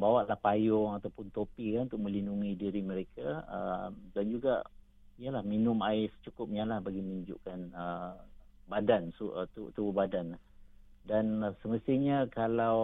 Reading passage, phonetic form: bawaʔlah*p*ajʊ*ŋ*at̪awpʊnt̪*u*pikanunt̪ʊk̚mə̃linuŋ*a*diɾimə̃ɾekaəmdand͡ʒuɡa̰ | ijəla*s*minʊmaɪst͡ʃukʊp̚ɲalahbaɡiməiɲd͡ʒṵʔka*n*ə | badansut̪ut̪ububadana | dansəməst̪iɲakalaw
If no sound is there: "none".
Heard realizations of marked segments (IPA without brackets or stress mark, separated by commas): p, ŋ, o, i, h, n